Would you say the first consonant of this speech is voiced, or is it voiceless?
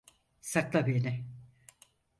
voiceless